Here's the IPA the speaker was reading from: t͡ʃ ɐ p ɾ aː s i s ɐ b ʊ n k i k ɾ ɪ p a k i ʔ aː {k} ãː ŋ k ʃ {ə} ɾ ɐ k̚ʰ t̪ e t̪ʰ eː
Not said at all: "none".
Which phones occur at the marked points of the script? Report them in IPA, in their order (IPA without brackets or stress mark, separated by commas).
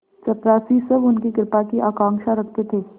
k, a